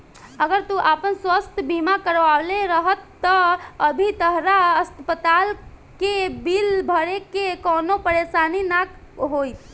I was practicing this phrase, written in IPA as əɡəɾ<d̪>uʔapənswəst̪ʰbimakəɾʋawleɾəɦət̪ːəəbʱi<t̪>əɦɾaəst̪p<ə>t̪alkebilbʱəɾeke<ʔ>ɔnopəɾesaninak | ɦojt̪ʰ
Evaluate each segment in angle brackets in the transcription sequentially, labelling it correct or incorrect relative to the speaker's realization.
incorrect, correct, correct, incorrect

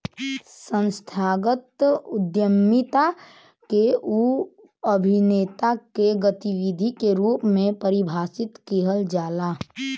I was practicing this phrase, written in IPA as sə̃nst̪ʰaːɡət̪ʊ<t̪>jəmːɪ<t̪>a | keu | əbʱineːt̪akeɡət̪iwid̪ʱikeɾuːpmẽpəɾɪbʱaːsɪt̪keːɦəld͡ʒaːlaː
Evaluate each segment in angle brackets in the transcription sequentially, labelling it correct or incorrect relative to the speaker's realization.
incorrect, correct

